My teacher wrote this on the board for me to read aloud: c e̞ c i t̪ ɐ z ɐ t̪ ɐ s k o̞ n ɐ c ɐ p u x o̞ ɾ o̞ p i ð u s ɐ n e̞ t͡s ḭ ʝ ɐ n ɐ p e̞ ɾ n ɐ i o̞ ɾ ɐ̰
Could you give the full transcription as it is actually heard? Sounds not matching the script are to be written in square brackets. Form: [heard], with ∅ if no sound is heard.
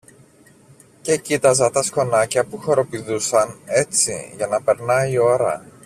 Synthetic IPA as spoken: c e̞ c i t̪ ɐ z ɐ t̪ ɐ s k o̞ n ɐ c ɐ p u x o̞ ɾ o̞ p i ð u s ɐ n e̞ t͡s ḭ ʝ ɐ n ɐ p e̞ ɾ n ɐ i o̞ ɾ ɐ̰